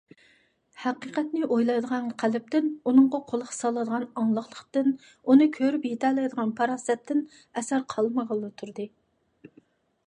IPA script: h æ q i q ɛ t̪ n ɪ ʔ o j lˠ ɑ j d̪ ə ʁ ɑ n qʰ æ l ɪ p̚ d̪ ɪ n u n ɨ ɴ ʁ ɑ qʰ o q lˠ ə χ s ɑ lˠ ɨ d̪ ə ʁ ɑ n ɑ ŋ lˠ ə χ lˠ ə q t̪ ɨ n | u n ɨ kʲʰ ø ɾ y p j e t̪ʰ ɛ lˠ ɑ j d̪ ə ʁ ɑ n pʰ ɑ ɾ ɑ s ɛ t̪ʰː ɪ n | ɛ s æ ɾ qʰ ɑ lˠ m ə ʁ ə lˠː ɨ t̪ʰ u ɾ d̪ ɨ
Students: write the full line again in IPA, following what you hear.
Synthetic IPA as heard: h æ q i q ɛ t̪ n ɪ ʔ o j lˠ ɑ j d̪ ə ʁ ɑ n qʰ æ l ɪ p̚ t̪ ɪ n u n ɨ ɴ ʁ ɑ qʰ o lˠ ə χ s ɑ lˠ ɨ d̪ ə ʁ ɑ n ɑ ŋ lˠ ə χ lˠ ə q t̪ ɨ n | u n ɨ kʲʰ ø ɾ y p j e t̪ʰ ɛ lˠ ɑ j d̪ ə ʁ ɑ n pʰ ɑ ɾ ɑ s ɛ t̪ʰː ɪ n | ɛ s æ ɾ qʰ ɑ lˠ m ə ʁ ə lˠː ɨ t̪ʰ u ɾ d̪ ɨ